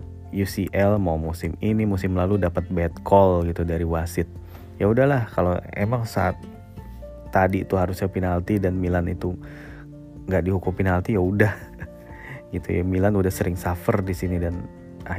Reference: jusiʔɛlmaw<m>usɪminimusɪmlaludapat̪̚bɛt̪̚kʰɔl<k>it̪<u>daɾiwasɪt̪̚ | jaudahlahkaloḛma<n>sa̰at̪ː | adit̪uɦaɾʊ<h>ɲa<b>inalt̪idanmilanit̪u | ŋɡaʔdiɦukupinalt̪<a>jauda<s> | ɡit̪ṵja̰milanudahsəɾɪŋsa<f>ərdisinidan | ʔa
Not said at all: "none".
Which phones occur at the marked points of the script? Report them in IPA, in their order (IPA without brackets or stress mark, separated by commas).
m, ɡ, u, ŋ, s, p, i, h, f